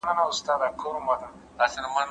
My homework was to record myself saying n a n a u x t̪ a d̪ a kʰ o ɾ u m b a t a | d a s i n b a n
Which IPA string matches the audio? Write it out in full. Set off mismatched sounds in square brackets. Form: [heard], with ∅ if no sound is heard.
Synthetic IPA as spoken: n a n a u [s] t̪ a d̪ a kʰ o ɾ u m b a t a | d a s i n [m] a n